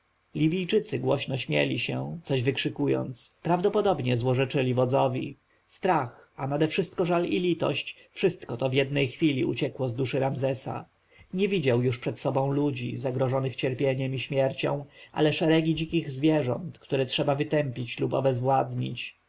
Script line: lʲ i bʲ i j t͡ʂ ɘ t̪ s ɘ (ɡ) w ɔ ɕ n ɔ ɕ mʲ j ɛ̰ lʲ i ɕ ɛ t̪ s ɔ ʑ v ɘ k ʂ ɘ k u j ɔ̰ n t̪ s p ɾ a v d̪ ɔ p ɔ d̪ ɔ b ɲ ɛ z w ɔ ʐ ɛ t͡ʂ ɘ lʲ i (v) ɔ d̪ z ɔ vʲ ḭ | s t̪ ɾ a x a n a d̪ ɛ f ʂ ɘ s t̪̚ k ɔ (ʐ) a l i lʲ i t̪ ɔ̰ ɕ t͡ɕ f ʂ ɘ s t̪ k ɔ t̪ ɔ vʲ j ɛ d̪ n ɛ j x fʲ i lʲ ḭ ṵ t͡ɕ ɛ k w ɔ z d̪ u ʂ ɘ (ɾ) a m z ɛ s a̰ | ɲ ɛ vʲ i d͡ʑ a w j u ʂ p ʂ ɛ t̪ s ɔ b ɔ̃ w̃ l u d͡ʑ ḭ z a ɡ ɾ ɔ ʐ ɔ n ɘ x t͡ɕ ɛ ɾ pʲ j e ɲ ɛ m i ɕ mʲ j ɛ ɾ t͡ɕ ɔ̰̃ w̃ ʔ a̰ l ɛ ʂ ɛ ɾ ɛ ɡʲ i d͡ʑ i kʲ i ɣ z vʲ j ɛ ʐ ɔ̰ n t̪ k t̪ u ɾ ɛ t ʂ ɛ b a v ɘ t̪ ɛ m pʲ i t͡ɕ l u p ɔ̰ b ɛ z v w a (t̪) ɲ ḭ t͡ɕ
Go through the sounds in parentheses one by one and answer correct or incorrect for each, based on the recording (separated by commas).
correct, correct, correct, correct, incorrect